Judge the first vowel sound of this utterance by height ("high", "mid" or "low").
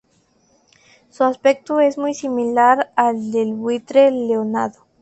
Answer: high